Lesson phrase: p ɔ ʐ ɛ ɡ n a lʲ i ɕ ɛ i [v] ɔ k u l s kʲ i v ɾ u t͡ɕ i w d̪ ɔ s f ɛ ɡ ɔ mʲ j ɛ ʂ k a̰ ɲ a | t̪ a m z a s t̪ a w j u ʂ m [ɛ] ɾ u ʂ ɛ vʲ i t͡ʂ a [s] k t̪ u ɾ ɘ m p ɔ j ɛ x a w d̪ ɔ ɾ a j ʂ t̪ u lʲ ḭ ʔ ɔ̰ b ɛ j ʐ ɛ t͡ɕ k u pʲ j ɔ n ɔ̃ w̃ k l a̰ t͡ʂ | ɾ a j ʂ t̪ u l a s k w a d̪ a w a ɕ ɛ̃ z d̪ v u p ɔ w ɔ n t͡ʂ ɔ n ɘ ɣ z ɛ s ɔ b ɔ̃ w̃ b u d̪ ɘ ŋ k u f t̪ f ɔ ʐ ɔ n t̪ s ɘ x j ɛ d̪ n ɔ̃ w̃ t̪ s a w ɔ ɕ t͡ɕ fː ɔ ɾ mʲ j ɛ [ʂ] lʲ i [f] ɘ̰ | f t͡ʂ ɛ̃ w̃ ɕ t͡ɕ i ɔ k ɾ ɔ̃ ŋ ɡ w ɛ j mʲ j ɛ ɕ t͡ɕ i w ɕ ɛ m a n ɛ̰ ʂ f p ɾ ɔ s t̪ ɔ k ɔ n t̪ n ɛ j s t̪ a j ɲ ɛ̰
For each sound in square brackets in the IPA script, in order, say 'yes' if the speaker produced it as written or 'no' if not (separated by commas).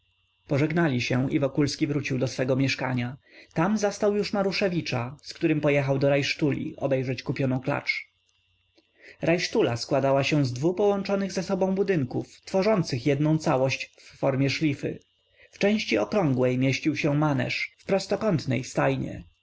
yes, no, yes, yes, yes